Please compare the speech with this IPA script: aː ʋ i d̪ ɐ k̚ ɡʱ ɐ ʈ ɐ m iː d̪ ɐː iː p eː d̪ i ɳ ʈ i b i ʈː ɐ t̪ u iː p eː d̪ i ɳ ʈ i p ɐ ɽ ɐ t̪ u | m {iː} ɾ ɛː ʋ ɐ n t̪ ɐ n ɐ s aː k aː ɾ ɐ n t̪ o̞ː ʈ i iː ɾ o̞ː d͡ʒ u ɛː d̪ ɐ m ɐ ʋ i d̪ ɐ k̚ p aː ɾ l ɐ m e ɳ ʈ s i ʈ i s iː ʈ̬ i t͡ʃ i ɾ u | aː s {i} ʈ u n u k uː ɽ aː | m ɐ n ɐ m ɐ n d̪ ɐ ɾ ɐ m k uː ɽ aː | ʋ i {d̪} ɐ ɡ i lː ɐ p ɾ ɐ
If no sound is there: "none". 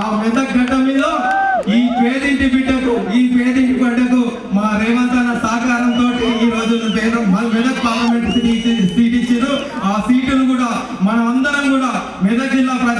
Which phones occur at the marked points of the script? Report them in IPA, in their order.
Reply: aː, iː, d̪

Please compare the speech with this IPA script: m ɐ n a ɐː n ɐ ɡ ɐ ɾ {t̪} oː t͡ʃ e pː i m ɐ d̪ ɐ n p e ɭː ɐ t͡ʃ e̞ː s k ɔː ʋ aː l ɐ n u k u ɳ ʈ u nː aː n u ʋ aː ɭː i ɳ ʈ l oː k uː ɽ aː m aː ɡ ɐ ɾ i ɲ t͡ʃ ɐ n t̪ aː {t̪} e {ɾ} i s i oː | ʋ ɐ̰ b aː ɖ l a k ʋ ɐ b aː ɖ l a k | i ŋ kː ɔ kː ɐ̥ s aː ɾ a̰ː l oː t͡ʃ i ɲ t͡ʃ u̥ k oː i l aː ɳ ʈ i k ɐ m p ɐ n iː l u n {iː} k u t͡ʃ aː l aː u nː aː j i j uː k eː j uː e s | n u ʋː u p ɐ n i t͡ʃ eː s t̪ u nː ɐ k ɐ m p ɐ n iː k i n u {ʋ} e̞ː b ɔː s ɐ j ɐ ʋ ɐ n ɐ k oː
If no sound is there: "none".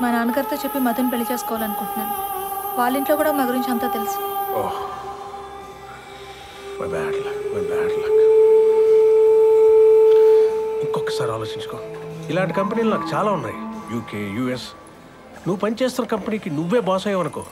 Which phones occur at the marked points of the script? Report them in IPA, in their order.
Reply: t̪, t̪, l, aː, ʋː

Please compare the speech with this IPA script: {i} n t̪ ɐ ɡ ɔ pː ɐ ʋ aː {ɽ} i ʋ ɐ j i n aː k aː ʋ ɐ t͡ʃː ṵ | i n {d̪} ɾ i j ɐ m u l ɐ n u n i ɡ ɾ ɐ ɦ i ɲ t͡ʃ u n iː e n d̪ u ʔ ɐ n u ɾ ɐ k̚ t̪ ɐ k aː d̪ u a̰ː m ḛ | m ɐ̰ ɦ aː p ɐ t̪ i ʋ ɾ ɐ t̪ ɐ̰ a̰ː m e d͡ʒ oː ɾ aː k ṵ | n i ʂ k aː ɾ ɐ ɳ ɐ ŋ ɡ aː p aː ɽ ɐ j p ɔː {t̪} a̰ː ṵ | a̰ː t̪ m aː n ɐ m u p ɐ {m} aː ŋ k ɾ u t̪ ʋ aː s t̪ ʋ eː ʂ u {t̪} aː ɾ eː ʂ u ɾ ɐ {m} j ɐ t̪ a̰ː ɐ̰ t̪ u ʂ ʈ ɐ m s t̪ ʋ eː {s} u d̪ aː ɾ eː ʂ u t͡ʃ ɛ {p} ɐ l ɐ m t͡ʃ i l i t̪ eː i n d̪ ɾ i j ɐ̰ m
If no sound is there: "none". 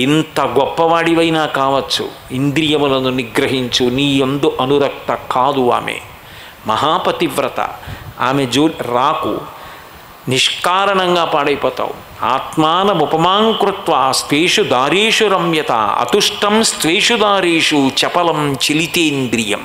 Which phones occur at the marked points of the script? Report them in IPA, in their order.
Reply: i, ɽ, d̪, t̪, m, d̪, m, ʂ, p

